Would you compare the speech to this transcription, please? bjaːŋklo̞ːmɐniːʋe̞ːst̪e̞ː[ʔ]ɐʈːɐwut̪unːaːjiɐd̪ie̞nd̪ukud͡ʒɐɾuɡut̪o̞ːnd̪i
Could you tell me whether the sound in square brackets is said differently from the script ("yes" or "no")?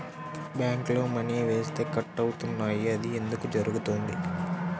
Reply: yes